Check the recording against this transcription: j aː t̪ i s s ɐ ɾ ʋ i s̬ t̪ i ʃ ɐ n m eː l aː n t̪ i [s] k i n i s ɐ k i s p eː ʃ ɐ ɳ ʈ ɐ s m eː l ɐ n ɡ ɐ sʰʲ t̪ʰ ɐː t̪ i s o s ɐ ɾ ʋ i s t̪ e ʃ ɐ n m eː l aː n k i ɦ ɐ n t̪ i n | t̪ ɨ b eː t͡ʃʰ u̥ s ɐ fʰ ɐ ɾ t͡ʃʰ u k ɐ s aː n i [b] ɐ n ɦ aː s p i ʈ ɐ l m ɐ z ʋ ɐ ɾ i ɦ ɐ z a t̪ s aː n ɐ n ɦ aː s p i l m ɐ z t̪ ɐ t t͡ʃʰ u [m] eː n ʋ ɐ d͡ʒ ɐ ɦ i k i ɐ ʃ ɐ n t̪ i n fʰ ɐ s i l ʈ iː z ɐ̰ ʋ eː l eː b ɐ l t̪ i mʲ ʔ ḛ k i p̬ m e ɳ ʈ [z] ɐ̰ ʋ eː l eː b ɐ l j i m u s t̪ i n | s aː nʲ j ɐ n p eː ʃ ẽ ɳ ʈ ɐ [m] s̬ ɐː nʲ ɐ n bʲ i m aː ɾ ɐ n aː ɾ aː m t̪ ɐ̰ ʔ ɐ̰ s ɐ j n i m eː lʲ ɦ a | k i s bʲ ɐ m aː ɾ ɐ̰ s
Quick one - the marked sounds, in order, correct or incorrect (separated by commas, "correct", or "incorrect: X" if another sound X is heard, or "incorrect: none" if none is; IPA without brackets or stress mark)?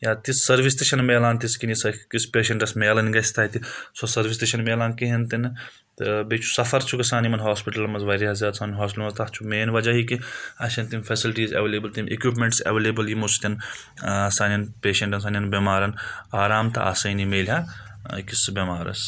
correct, incorrect: m, correct, incorrect: s, incorrect: n